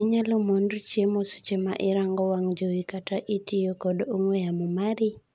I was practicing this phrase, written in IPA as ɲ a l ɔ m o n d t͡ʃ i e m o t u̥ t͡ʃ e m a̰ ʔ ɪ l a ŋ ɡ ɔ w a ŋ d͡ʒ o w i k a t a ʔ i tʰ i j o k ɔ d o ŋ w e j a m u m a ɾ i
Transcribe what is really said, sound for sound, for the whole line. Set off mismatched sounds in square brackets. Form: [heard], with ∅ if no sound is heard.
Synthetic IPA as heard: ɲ a l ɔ m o n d t͡ʃ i e m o [s] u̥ t͡ʃ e m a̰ ʔ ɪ [ɾ] a ŋ ɡ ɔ w a ŋ d͡ʒ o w i k a t a ʔ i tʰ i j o k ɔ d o ŋ w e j a m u m a ɾ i